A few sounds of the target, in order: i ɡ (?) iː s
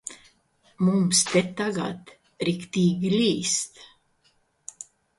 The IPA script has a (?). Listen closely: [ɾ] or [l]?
l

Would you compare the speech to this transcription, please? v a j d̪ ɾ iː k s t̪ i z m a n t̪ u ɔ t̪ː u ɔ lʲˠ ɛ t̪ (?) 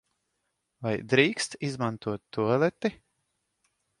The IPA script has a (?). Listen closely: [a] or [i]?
i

